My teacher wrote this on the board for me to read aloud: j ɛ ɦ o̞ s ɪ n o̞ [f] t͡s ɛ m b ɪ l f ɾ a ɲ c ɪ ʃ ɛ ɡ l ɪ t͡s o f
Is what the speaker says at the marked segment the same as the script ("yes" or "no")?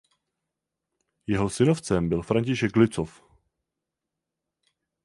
yes